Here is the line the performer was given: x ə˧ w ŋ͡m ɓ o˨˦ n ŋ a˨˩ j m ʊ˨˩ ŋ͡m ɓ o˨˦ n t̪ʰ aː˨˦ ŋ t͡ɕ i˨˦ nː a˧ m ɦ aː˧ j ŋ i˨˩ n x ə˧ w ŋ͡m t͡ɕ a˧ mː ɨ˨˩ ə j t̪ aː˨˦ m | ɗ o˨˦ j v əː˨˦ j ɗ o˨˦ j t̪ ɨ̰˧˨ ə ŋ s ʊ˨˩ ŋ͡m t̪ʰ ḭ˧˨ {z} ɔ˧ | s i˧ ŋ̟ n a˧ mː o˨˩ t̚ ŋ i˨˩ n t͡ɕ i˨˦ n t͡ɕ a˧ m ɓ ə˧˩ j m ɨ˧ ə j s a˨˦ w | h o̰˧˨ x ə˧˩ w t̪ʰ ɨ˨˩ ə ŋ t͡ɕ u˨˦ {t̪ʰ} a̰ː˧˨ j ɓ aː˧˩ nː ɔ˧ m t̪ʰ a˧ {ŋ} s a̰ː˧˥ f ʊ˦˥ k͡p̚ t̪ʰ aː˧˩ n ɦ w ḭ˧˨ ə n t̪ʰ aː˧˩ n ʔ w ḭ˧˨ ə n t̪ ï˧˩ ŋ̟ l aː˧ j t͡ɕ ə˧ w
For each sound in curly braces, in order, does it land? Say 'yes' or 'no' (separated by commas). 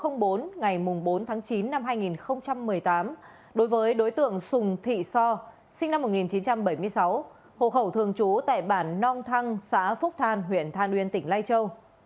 no, no, yes